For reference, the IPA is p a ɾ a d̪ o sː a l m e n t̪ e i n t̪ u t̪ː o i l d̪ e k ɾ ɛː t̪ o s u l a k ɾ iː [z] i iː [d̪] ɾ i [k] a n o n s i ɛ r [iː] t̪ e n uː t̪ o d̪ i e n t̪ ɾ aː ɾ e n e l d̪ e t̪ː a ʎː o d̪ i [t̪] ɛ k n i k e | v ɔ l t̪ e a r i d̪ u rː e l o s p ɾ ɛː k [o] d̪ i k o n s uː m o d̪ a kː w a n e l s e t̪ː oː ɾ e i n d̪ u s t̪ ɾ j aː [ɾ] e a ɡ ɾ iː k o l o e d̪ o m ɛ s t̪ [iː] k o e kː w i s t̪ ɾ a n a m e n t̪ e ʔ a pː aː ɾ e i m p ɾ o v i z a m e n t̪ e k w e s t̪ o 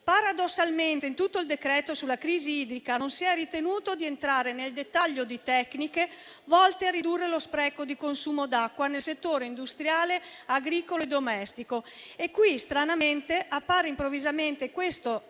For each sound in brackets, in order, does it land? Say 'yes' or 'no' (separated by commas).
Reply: yes, yes, yes, no, yes, yes, no, no